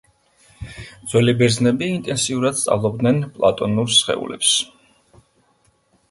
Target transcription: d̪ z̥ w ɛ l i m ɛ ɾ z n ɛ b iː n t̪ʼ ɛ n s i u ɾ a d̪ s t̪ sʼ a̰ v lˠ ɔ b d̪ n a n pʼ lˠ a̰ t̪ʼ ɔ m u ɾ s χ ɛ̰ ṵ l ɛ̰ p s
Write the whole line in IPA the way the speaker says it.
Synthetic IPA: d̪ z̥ w ɛ l i b ɛ ɾ z n ɛ b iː n t̪ʼ ɛ n s i u ɾ a d̪ s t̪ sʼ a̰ v lˠ ɔ b d̪ n ɛ n pʼ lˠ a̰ t̪ʼ ɔ n u ɾ s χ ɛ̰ ṵ l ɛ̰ p s